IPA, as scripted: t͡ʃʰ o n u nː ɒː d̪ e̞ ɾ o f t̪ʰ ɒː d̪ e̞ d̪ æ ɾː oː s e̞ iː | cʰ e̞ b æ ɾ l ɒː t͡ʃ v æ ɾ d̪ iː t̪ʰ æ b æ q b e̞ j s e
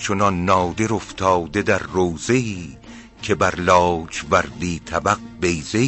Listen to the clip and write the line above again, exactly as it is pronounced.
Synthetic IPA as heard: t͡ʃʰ o n ɒ nː ɒː d̪ e̞ ɾ o f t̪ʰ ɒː d̪ e̞ d̪ æ ɾː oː z e̞ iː | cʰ e̞ b æ ɾ l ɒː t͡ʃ v æ ɾ d̪ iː t̪ʰ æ b æ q b e̞ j z e